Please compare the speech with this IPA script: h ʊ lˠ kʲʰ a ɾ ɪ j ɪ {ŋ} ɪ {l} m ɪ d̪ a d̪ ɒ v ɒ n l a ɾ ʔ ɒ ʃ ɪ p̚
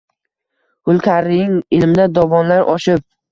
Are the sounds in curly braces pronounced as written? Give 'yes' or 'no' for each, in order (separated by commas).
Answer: yes, yes